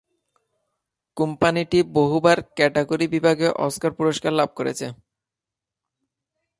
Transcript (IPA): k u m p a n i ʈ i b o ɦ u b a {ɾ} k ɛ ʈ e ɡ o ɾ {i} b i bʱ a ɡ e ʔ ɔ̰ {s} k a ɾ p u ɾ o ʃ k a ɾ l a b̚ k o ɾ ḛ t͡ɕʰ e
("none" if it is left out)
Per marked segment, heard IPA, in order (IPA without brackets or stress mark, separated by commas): ɾ, i, s